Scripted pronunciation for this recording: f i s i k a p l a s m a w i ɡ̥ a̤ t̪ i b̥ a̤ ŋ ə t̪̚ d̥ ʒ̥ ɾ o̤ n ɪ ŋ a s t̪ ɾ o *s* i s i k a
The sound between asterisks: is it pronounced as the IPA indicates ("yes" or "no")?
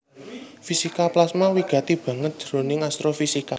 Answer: no